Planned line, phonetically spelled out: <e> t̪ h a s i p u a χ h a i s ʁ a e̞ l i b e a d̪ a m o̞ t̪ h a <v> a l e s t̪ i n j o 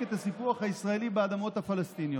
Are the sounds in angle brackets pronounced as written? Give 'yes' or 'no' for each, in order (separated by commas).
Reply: yes, no